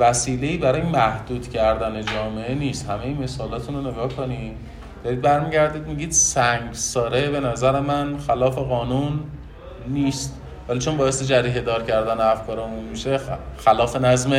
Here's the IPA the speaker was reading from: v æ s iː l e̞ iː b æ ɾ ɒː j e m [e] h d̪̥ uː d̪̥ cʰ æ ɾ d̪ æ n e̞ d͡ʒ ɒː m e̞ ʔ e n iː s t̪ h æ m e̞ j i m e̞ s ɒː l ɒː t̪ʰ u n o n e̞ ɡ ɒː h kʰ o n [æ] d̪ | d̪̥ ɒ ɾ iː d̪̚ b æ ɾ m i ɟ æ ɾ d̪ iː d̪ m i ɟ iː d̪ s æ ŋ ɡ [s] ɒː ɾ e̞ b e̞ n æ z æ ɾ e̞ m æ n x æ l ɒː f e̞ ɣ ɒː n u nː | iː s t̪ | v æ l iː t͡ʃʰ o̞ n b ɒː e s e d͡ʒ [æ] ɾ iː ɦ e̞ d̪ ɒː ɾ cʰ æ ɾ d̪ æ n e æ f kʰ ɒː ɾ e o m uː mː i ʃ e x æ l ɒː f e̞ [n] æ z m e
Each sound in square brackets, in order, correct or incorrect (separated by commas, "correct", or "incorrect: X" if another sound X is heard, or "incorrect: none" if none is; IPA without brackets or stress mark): incorrect: æ, incorrect: i, correct, correct, correct